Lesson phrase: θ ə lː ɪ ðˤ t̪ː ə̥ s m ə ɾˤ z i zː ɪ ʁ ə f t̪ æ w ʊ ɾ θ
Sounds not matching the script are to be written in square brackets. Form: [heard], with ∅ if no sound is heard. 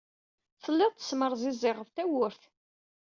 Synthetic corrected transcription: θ ə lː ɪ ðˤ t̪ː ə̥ s m ə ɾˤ z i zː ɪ ʁ ə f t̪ æ w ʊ ɾ θ